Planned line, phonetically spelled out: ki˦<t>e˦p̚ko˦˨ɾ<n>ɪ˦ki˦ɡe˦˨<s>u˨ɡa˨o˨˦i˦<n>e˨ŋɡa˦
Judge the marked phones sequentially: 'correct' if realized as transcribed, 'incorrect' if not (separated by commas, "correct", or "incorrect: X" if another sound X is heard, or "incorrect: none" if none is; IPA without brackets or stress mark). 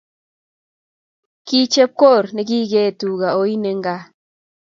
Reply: incorrect: t͡ʃ, correct, incorrect: t, correct